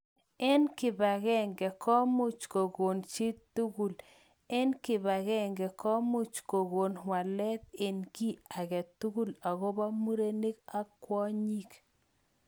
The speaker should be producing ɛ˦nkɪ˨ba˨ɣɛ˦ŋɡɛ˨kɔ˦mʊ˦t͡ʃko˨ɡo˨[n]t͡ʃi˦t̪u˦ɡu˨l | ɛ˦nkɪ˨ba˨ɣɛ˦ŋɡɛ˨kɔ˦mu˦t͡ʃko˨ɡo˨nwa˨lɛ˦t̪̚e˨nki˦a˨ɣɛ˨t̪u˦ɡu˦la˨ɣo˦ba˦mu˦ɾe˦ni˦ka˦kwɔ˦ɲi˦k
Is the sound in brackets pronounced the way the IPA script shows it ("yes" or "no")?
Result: yes